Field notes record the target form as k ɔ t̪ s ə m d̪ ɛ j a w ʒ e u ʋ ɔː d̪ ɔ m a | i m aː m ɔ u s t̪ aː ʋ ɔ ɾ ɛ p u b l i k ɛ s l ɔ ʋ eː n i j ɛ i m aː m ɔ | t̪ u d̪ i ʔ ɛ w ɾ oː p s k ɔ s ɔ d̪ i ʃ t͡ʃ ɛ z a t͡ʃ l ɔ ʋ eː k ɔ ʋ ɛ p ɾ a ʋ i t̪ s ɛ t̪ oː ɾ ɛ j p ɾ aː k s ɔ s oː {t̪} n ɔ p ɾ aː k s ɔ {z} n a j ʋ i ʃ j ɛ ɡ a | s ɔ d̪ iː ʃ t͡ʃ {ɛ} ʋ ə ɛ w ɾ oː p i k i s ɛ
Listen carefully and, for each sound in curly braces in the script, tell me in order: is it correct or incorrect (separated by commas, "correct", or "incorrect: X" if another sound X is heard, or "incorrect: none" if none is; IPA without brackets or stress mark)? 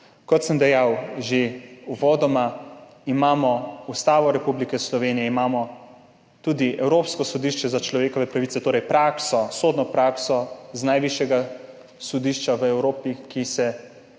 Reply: incorrect: d̪, correct, incorrect: a